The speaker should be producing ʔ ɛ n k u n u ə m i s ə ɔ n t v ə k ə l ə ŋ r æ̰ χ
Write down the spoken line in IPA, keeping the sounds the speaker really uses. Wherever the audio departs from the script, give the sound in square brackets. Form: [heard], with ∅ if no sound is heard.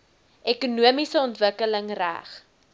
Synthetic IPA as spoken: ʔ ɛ [∅] k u n u ə m i s ə ɔ n t v ə k ə l ə ŋ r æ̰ χ

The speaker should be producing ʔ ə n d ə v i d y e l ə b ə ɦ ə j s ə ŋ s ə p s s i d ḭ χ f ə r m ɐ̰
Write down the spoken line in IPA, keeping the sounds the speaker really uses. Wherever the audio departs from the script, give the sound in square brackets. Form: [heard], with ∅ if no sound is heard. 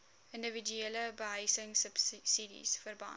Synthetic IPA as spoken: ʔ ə n d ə v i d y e l ə b ə ɦ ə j s ə ŋ s ə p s s i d ḭ [s] f ə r [b] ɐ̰

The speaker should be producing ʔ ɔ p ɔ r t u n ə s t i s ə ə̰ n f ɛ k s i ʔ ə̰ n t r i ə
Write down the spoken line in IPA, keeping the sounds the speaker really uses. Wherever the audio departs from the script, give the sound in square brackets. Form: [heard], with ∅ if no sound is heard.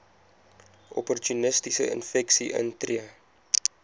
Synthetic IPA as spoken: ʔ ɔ p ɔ r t u n ə s t i s ə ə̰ n f ɛ k s i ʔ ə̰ n t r i ə

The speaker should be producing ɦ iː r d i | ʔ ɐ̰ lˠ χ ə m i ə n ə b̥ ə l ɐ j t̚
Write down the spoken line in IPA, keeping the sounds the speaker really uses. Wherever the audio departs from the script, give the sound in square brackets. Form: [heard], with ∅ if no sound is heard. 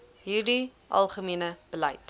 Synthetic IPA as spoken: ɦ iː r d i | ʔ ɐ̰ lˠ χ ə m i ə n ə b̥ ə l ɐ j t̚

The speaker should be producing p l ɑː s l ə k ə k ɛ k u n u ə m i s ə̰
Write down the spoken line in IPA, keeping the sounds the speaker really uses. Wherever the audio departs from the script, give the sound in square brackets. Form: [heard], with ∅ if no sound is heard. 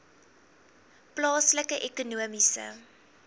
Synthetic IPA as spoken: p l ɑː s l ə k ə [ʔ] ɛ k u n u ə m i s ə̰

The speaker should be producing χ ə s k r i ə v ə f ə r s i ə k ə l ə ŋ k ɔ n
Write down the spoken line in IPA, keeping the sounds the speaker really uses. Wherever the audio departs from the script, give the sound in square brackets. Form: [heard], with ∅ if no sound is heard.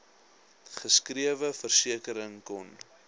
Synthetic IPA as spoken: χ ə s k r i ə v ə f ə r s i ə k ə [ɾ] ə ŋ k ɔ n

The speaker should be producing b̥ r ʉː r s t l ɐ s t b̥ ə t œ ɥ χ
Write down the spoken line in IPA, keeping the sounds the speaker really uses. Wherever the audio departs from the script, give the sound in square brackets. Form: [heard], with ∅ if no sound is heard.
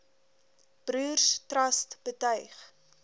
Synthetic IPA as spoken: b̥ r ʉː r s t [r] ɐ s t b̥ ə t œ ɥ χ

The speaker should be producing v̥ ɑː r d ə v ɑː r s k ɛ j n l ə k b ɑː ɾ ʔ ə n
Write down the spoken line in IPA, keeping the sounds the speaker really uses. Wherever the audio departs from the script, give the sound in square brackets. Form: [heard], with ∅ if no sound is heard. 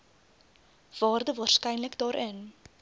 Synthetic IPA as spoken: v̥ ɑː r d ə v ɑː r s k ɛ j n l ə k [d] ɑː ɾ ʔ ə n

